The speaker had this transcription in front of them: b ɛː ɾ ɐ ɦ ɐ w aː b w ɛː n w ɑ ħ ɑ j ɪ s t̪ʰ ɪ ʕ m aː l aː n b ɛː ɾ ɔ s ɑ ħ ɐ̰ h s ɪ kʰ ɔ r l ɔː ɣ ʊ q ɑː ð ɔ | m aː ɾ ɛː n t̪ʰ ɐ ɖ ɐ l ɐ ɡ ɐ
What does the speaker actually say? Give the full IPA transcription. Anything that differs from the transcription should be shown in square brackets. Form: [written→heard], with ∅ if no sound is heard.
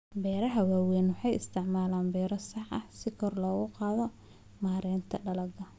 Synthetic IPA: b ɛː ɾ ɐ ɦ ɐ w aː [b→∅] w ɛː n w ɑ ħ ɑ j ɪ s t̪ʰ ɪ ʕ m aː l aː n b ɛː ɾ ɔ s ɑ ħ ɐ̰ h s ɪ kʰ ɔ r l ɔː ɣ ʊ q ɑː ð ɔ | m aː ɾ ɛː n t̪ʰ ɐ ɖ ɐ l ɐ ɡ ɐ

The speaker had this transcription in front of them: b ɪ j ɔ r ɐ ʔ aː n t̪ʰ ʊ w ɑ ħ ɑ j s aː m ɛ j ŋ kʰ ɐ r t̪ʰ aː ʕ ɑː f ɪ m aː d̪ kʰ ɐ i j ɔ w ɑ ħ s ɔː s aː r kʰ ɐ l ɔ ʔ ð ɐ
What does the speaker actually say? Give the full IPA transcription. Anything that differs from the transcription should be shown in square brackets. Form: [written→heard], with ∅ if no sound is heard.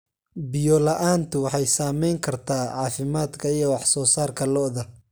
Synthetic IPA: b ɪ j ɔ [r→l] ɐ ʔ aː n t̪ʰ ʊ w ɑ ħ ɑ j s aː m ɛ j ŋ kʰ ɐ r t̪ʰ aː ʕ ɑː f ɪ m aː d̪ kʰ ɐ i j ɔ w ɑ ħ s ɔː s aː r kʰ ɐ l ɔ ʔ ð ɐ

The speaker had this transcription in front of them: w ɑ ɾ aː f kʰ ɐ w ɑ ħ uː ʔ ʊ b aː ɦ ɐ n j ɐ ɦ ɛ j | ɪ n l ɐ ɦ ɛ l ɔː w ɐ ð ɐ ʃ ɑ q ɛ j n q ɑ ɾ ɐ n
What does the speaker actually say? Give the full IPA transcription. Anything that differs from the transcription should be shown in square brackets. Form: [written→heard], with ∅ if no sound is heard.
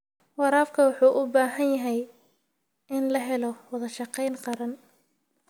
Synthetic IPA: w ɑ ɾ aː f kʰ ɐ w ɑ ħ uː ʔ ʊ b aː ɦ ɐ n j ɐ ɦ ɛ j | ɪ n l ɐ ɦ ɛ l [ɔː→ɔ] w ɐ ð ɐ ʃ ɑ q ɛ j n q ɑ ɾ ɐ n

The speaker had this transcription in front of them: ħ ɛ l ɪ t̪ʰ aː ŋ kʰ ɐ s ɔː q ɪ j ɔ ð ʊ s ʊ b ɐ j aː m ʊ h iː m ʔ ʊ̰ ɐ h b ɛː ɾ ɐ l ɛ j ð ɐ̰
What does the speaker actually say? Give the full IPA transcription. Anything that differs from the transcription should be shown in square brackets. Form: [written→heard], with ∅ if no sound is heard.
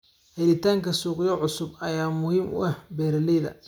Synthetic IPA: [ħ→h] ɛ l ɪ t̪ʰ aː ŋ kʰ ɐ s [ɔː→uː] q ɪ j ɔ [ð→ʕ] ʊ s ʊ b ɐ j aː m ʊ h iː m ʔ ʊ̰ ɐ h b ɛː ɾ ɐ l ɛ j ð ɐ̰

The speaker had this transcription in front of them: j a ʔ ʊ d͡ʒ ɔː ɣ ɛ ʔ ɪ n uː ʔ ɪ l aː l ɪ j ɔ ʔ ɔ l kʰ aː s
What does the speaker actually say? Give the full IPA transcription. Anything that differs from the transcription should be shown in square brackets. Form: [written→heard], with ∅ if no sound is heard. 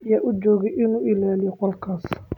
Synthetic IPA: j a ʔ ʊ d͡ʒ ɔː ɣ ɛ ʔ ɪ n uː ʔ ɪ l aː l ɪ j ɔ [ʔ→q] ɔ l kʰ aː s

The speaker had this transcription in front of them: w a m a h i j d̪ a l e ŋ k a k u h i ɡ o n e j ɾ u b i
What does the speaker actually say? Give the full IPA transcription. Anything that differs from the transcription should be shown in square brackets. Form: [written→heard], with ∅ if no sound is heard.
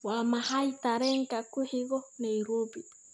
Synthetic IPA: w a m a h [i→a] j [d̪→t̪] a [l→ɾ] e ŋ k a k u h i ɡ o n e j ɾ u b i

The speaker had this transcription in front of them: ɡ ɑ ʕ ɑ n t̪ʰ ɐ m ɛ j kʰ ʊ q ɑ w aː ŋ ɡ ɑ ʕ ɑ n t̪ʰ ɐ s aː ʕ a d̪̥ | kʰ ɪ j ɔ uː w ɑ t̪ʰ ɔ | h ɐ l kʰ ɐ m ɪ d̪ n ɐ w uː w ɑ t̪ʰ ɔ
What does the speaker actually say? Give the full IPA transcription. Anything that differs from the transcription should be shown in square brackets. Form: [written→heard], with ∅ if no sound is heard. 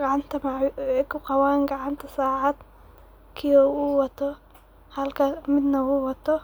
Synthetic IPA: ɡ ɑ ʕ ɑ n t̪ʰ ɐ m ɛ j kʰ ʊ q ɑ w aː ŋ ɡ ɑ ʕ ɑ n t̪ʰ ɐ s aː ʕ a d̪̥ | kʰ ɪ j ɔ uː w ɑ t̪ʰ ɔ | h ɐ l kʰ ɐ m ɪ d̪ n ɐ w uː w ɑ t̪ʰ ɔ

